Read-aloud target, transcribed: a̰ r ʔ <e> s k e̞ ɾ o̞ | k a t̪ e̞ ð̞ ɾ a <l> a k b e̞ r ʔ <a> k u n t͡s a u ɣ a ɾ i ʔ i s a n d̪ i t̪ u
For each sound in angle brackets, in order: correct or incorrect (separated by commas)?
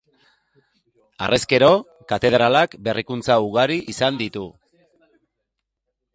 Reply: correct, correct, incorrect